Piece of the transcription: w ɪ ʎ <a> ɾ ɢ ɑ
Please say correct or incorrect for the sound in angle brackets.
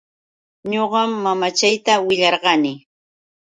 incorrect: ɑ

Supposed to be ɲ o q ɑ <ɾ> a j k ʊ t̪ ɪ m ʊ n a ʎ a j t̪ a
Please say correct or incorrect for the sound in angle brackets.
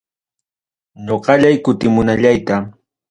incorrect: ʎ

